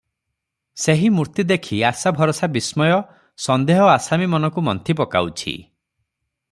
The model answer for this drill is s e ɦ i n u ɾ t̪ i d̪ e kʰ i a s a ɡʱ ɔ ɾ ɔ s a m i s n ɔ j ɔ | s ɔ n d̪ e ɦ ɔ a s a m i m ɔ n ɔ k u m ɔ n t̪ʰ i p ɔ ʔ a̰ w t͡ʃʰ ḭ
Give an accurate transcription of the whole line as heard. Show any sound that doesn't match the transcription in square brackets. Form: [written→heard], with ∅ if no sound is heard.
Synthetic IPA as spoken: s e ɦ i [n→m] u ɾ t̪ i d̪ e kʰ i a s a [ɡʱ→bʱ] ɔ ɾ ɔ s a [m→b] i s [n→m] ɔ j ɔ | s ɔ n d̪ e ɦ ɔ a s a m i m ɔ n ɔ k u m ɔ n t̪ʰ i p ɔ [ʔ→k] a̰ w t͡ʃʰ ḭ